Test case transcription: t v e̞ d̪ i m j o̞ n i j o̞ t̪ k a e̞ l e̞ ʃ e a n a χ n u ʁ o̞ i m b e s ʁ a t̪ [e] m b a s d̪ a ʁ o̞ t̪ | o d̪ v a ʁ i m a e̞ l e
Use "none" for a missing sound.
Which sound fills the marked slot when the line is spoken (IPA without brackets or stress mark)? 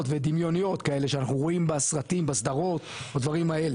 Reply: i